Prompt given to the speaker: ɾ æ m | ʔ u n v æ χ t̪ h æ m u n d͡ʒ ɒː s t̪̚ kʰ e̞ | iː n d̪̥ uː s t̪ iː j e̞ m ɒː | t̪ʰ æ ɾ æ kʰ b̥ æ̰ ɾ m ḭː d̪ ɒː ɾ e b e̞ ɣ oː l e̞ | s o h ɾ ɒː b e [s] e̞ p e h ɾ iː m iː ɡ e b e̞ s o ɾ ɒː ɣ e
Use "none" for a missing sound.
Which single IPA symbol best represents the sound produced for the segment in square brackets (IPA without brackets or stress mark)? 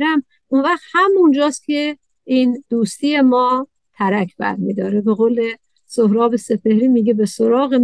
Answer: s